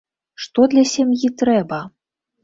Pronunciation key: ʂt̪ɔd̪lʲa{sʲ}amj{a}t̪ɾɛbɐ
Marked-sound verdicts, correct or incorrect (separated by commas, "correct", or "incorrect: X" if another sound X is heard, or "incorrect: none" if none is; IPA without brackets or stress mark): correct, incorrect: i